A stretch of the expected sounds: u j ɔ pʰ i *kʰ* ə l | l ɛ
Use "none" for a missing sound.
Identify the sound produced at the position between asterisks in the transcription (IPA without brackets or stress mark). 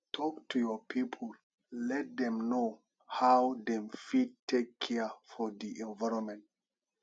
pʰ